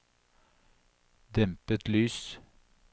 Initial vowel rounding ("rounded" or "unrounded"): unrounded